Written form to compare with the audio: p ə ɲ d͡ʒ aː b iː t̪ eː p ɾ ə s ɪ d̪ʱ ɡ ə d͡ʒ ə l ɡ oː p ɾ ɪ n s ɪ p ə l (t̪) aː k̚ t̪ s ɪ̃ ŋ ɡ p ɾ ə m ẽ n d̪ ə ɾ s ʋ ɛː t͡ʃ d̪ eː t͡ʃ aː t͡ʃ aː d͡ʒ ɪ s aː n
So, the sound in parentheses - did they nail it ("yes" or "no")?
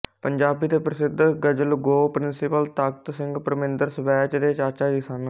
yes